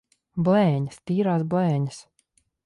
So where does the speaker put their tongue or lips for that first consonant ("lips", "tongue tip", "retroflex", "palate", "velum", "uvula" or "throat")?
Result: lips